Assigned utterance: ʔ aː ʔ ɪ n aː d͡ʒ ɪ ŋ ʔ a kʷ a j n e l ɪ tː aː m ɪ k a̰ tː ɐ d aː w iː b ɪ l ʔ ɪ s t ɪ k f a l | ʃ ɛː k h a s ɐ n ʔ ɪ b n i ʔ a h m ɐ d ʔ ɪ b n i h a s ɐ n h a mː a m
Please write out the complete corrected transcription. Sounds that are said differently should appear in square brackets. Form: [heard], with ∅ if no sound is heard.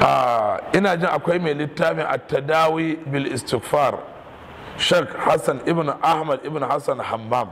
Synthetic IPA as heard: ʔ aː ʔ ɪ n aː d͡ʒ ɪ ŋ ʔ a kʷ a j [m] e l ɪ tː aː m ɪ [ʔ] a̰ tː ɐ d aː w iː b ɪ l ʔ ɪ s t ɪ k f a [r] | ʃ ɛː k h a s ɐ n ʔ ɪ b n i ʔ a h m ɐ d ʔ ɪ b n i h a s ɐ n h a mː a m